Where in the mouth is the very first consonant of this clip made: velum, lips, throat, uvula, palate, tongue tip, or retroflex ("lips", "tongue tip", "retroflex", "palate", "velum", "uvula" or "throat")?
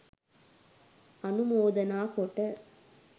tongue tip